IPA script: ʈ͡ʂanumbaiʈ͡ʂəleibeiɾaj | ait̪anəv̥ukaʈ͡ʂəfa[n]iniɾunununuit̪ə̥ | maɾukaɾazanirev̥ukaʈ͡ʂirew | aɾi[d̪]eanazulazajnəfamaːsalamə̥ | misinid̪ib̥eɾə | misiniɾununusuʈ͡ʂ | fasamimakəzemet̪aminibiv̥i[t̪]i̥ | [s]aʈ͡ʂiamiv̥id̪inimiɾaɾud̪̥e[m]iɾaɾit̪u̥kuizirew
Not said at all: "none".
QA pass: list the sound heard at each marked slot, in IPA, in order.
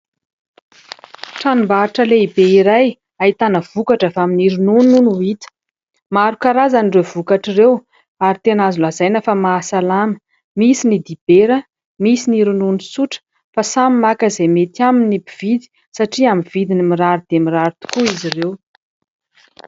m, t̪, d̪, s, m

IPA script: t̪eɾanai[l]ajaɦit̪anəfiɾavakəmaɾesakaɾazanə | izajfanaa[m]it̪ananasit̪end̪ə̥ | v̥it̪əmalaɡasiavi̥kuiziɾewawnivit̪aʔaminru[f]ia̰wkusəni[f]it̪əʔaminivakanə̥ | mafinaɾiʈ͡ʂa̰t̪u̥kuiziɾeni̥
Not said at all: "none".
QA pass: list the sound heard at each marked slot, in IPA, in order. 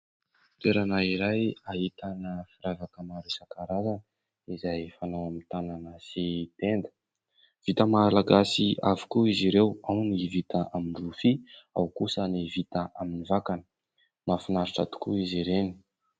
ɾ, m, f, v

